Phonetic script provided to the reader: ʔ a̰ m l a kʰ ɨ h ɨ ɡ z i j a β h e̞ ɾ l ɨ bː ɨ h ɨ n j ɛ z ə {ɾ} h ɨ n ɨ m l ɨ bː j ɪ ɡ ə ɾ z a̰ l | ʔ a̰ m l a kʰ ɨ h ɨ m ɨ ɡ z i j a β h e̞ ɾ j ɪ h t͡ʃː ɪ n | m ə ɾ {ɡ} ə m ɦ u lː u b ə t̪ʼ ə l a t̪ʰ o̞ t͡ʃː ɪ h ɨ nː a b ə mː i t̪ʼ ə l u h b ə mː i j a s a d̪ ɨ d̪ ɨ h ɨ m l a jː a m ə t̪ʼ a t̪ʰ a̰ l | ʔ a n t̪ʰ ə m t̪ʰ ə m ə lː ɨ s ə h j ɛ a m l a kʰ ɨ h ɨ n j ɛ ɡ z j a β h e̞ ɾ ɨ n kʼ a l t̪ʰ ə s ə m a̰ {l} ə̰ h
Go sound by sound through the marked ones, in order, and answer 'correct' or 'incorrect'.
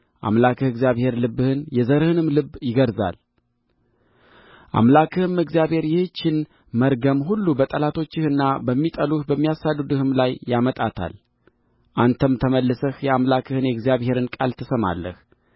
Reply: correct, correct, incorrect: lː

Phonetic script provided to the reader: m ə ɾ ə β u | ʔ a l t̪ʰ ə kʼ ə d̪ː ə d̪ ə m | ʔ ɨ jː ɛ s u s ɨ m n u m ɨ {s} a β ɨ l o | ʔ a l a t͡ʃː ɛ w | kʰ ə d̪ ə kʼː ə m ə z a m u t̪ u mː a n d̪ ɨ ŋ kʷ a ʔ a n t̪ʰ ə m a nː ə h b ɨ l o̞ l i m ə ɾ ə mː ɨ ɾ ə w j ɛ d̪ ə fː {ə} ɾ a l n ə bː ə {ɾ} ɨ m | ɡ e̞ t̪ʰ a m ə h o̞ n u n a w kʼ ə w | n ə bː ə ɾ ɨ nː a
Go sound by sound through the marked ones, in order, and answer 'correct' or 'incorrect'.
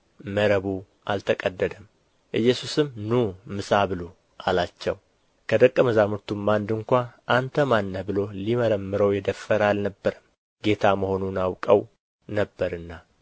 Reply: correct, correct, correct

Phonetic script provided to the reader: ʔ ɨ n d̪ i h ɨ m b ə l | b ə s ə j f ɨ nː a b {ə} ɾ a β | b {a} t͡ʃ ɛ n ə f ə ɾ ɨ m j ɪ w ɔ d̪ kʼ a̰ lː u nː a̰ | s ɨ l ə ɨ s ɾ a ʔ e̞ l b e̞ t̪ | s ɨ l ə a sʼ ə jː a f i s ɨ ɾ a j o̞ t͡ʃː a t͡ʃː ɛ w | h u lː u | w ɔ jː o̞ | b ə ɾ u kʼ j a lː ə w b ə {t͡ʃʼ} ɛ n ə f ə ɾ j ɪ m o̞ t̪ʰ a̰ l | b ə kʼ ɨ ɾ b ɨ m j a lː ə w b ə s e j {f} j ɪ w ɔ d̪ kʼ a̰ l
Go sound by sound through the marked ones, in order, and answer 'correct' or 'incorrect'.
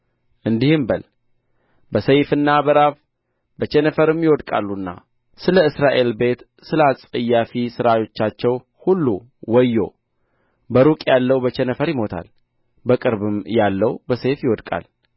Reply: correct, incorrect: ə, incorrect: t͡ʃ, correct

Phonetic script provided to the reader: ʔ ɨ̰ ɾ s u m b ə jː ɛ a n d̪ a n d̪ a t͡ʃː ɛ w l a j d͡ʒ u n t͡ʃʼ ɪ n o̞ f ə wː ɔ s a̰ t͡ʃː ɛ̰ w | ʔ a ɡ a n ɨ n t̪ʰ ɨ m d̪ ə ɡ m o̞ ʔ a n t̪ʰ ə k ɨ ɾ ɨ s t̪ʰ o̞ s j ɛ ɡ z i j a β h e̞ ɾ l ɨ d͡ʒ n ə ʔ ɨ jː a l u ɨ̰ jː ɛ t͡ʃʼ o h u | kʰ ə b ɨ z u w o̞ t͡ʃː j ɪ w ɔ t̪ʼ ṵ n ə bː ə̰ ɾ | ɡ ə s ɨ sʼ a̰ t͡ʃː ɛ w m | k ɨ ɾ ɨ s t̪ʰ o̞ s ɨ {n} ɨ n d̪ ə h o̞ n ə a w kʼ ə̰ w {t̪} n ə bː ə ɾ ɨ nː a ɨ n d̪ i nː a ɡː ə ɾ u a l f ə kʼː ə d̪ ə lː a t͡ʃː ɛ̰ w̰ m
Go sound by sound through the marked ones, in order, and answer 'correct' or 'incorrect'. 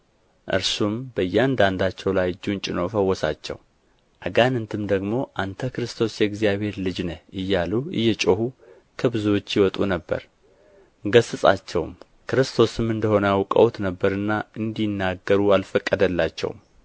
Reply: incorrect: m, correct

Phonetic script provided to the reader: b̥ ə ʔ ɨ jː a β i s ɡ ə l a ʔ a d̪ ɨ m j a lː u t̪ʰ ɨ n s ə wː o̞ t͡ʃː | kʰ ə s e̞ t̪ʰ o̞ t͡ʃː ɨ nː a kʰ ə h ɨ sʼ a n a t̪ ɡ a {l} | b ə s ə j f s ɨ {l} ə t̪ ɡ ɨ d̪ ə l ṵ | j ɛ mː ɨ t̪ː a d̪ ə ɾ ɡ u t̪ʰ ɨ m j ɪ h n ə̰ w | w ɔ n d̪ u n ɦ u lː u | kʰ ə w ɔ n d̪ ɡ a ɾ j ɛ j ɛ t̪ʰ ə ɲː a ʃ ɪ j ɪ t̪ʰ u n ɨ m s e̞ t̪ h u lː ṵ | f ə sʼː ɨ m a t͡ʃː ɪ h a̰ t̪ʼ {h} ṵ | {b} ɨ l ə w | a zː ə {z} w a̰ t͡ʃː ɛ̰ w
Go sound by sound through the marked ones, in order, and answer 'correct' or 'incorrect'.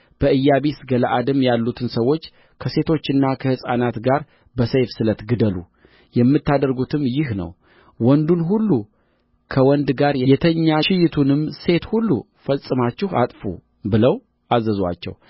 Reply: incorrect: ɾ, correct, incorrect: f, correct, correct

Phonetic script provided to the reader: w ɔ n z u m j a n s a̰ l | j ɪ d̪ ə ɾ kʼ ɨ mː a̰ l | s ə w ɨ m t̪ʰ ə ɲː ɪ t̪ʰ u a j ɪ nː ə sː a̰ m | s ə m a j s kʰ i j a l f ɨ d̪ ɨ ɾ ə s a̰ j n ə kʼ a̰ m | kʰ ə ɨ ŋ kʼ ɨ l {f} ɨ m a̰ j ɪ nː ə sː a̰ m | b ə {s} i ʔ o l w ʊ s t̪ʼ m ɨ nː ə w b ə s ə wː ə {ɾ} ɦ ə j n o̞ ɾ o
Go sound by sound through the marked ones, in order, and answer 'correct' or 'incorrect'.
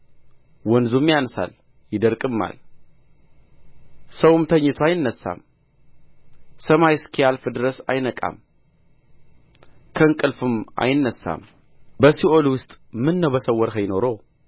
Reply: correct, correct, correct

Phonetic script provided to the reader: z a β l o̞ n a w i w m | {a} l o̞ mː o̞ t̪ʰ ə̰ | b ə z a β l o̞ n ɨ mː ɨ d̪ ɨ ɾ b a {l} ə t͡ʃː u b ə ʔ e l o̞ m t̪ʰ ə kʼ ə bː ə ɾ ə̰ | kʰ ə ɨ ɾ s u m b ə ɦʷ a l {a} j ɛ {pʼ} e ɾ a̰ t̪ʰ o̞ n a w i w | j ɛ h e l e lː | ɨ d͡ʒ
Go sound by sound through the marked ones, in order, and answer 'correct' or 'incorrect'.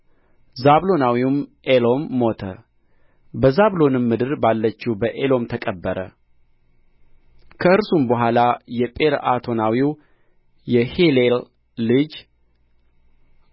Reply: incorrect: e, incorrect: lː, correct, correct

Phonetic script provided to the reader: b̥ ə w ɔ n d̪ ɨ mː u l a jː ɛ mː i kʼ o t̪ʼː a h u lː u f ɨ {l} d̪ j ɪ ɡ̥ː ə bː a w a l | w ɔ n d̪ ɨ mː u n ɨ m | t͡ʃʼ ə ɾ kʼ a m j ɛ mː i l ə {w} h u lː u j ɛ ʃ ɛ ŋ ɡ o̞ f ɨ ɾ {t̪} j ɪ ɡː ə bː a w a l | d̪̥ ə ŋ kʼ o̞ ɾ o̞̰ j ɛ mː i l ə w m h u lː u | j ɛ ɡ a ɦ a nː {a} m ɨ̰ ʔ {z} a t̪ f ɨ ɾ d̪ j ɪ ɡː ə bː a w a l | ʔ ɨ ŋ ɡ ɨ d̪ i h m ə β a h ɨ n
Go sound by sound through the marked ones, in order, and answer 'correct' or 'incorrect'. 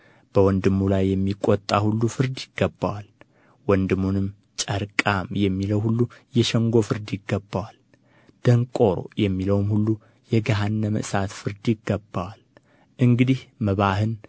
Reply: incorrect: ɾ, correct, incorrect: d̪, incorrect: ə, incorrect: s

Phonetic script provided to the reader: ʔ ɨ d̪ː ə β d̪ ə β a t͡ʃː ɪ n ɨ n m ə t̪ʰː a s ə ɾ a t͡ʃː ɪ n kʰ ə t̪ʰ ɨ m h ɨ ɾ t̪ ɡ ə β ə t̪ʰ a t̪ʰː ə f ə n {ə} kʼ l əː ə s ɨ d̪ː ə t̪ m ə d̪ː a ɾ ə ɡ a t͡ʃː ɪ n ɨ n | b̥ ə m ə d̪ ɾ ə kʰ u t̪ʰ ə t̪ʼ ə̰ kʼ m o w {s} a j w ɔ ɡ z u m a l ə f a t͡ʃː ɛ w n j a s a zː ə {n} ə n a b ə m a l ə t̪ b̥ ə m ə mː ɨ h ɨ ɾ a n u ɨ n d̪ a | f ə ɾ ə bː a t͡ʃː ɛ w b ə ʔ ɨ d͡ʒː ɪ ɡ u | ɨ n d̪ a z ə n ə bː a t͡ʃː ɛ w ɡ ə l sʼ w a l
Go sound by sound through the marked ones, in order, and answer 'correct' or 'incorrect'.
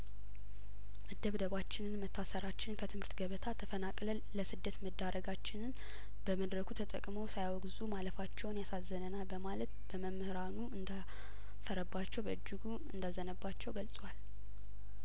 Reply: incorrect: a, correct, correct

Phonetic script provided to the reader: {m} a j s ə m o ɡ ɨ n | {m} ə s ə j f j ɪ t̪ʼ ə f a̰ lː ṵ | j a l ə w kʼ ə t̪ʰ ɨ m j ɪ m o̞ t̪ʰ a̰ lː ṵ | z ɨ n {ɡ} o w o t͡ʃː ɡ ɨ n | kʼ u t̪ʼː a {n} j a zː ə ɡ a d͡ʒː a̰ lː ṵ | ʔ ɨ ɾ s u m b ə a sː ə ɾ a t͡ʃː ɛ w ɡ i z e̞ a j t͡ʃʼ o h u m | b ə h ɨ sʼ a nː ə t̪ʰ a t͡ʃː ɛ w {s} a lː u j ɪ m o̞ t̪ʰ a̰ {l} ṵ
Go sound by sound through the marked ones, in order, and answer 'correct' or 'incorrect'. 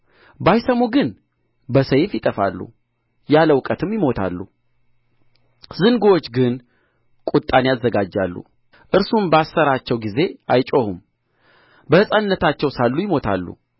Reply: incorrect: b, incorrect: b, correct, correct, correct, incorrect: lː

